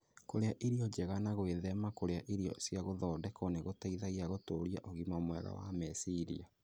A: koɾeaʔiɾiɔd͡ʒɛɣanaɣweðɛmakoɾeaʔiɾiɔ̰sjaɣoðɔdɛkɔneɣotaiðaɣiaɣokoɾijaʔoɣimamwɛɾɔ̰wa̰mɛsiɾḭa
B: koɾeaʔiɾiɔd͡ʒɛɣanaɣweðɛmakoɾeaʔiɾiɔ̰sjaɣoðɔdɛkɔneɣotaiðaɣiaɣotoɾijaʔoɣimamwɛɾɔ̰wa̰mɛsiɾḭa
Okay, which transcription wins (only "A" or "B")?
B